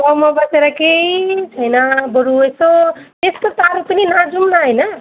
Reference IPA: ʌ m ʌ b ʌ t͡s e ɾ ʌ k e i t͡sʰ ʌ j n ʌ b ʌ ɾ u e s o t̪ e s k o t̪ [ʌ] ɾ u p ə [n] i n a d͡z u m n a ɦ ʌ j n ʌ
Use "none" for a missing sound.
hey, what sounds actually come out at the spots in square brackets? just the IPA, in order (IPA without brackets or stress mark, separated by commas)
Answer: a, n